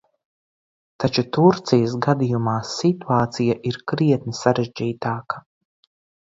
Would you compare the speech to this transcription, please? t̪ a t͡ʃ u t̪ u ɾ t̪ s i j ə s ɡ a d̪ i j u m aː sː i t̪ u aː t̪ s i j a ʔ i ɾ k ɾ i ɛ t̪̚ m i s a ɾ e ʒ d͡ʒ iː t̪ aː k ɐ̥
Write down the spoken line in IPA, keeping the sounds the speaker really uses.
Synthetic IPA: t̪ a t͡ʃ u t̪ u ɾ t̪ s i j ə s ɡ a d̪ i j u m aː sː i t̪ u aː t̪ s i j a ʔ i ɾ k ɾ i ɛ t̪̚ n i s a ɾ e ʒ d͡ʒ iː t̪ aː k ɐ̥